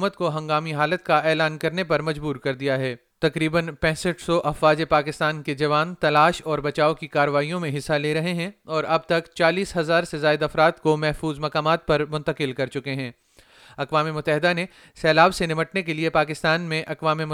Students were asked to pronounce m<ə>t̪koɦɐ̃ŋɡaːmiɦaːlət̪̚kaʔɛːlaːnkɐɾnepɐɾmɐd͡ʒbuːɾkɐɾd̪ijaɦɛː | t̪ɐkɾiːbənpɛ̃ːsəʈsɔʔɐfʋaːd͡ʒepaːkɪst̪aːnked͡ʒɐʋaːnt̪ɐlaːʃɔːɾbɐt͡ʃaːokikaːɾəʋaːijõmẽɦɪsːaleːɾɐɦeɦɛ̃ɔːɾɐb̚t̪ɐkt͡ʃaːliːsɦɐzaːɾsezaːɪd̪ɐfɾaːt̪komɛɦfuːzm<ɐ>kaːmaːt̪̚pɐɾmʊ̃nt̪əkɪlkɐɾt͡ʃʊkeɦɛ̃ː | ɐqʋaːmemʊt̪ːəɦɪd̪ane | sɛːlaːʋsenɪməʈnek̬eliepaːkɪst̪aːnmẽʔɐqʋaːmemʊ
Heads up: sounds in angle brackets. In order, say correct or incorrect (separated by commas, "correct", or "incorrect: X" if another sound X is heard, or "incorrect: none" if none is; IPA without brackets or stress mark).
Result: correct, correct